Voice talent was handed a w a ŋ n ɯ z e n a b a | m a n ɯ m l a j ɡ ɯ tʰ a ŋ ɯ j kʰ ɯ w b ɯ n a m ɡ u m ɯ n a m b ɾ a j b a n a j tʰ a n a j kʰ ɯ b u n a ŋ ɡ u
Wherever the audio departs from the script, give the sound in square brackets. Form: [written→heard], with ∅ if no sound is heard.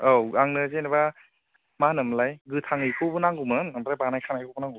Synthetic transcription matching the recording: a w a ŋ n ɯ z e n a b a | m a n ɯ m l a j ɡ ɯ tʰ a ŋ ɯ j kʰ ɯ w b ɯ n a [m→ŋ] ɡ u m ɯ n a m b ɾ a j b a n a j [tʰ→kʰ] a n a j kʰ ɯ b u n a ŋ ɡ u